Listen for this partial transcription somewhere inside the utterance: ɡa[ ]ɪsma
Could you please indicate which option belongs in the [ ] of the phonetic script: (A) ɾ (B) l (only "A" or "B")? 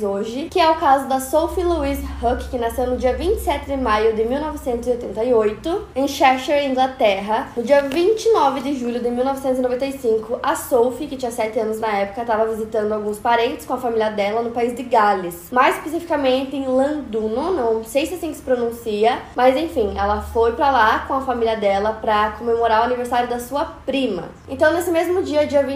B